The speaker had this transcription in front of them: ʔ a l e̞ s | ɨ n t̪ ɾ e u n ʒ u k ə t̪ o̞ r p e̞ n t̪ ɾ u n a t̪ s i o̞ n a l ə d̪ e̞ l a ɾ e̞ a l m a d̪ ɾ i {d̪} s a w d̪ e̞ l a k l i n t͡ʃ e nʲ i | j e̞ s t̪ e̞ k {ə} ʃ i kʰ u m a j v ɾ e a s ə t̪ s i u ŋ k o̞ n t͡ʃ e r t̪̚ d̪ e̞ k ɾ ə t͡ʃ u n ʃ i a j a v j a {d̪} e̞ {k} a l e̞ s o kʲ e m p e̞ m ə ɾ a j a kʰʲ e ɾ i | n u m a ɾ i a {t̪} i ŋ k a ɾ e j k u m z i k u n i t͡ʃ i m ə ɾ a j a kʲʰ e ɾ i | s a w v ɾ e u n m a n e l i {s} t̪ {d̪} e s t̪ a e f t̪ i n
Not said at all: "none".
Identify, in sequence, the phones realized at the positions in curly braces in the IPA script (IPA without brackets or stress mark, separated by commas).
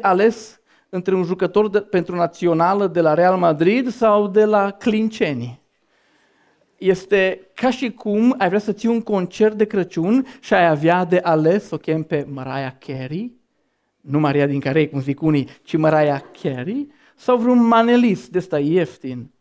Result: d̪, a, d̪, ʔ, d̪, s, d̪